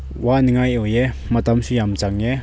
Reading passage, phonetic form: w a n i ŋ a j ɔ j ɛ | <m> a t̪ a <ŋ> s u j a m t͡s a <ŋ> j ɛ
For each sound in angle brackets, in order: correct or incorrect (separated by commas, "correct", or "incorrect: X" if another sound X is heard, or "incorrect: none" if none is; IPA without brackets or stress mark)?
correct, incorrect: m, correct